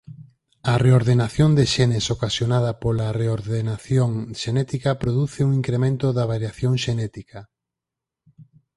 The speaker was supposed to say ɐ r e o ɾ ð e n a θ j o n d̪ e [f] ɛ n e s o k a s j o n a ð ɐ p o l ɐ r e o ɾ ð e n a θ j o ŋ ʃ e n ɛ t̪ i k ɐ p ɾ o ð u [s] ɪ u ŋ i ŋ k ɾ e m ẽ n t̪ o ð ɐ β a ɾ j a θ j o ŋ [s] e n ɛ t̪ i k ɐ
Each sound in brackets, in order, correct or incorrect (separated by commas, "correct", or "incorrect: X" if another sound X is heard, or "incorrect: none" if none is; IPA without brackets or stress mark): incorrect: ʃ, incorrect: θ, incorrect: ʃ